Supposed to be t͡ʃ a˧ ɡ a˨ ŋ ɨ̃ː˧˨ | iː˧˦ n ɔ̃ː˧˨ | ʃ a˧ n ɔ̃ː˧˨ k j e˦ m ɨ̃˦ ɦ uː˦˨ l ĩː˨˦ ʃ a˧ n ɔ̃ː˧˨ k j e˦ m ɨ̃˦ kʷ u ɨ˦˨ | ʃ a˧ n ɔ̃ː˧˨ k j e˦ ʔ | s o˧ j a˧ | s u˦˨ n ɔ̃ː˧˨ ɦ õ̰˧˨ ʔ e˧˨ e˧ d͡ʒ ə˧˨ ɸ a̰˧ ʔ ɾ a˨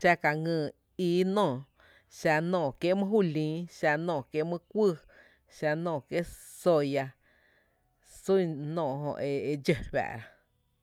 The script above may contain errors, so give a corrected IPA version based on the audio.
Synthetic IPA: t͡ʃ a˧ k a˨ ŋ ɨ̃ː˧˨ | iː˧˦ n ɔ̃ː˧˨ | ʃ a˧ n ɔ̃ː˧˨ k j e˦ m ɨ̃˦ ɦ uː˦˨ l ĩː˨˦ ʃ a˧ n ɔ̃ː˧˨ k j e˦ m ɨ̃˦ kʷ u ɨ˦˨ | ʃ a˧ n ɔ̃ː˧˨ k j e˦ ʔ | s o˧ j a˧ | s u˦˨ n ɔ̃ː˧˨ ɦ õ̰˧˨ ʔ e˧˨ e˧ d͡ʒ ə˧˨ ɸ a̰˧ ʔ ɾ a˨